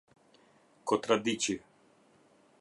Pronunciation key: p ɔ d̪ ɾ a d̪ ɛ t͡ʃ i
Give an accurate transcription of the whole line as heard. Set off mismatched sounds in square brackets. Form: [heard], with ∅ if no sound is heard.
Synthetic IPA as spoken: [k] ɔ [t̪] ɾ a d̪ [i] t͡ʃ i